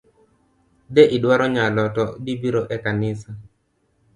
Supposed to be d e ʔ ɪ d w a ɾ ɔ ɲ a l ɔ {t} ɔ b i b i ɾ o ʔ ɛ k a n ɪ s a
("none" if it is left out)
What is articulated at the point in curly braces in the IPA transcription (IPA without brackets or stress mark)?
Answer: t